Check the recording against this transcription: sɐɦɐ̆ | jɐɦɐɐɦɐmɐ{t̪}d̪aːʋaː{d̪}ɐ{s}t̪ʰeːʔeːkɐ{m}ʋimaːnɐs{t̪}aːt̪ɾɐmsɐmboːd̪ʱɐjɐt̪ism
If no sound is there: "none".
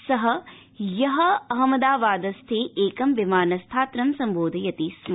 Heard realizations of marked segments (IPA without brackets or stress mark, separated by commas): none, d̪, s, m, t̪ʰ